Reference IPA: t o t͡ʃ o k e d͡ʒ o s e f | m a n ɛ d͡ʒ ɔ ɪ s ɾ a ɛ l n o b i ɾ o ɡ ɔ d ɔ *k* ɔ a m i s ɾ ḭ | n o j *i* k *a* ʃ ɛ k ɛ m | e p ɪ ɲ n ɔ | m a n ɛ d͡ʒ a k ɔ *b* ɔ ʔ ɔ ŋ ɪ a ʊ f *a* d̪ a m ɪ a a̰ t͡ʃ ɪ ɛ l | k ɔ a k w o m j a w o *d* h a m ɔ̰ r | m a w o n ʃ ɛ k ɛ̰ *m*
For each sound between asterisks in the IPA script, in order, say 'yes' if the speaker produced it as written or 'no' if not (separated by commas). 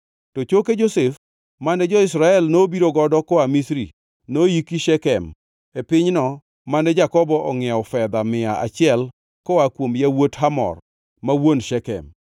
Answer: yes, yes, no, yes, no, no, yes